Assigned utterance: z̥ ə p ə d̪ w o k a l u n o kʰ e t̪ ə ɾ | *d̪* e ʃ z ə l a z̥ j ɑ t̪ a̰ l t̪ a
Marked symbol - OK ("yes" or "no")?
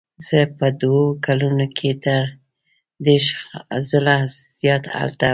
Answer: yes